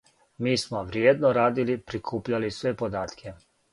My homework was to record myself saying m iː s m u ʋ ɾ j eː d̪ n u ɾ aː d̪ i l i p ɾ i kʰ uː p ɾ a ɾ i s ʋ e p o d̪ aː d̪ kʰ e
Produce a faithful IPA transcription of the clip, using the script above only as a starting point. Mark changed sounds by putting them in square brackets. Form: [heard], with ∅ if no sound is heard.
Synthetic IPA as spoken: m iː s m [o] ʋ ɾ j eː d̪ n [o] ɾ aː d̪ i l i p ɾ i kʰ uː p [ʎ] a [l] i s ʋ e p o d̪ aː [t̪] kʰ e